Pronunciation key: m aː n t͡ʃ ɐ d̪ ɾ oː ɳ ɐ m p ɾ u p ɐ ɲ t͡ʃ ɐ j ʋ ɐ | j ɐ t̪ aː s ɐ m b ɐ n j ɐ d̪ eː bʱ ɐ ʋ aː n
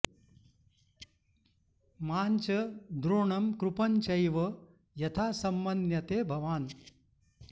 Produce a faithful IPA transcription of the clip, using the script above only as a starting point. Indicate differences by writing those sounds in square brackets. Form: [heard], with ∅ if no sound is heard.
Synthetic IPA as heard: m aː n t͡ʃ ɐ d̪ ɾ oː ɳ ɐ m [k] ɾ u p ɐ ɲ t͡ʃ ɐ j ʋ ɐ | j ɐ [t̪ʰ] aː s ɐ m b ɐ n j ɐ [t̪] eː bʱ ɐ ʋ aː n